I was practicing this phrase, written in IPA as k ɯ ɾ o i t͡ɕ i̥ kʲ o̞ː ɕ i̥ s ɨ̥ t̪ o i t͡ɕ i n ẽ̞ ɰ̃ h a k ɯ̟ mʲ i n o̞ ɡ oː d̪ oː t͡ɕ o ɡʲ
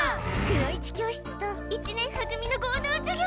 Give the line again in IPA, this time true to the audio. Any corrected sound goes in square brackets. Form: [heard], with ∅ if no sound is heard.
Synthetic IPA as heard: k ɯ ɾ o i t͡ɕ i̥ kʲ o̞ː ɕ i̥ [t͡s] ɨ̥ t̪ o i t͡ɕ i n ẽ̞ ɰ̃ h a k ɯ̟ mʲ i n o̞ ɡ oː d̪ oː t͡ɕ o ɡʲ